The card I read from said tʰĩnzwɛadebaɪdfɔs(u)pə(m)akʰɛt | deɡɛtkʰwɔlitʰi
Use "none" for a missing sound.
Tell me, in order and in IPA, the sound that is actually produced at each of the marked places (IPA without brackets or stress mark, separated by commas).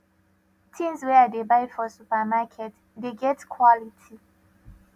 u, m